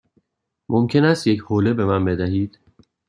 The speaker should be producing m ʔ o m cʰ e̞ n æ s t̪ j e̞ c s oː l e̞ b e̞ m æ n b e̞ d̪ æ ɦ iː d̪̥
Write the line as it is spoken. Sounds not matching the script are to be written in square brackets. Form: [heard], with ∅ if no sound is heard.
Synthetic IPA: m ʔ o m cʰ e̞ n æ s t̪ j e̞ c [h] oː l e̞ b e̞ m æ n b e̞ d̪ æ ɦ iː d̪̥